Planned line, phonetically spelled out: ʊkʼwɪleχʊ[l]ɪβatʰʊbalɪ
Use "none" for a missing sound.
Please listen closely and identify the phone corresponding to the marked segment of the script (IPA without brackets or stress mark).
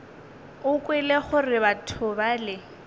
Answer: r